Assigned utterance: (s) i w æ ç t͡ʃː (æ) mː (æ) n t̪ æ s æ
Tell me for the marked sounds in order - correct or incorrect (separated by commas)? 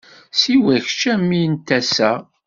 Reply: correct, correct, incorrect